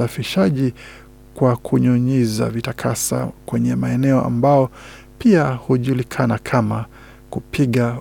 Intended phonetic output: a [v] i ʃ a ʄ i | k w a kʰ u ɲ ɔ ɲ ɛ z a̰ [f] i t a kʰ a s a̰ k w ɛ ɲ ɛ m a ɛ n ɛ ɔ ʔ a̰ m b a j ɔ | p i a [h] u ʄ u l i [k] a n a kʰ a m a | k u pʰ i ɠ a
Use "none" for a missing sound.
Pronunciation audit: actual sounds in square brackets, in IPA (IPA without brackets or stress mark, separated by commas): f, v, h, kʰ